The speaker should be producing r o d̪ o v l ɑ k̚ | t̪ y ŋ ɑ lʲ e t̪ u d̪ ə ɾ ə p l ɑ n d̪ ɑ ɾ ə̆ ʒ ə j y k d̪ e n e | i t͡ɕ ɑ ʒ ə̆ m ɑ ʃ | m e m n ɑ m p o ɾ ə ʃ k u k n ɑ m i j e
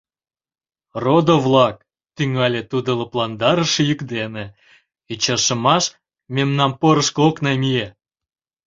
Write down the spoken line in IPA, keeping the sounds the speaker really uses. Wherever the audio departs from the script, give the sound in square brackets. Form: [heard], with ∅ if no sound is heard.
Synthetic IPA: r o d̪ o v l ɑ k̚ | t̪ y ŋ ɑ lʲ e t̪ u d̪ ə [l] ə p l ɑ n d̪ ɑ ɾ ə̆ [ʃ] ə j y k d̪ e n e | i t͡ɕ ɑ [ʃ] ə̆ m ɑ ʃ | m e m n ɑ m p o ɾ ə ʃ k [o] k n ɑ m i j e